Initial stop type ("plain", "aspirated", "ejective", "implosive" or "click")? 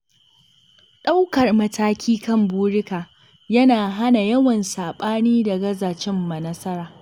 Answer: implosive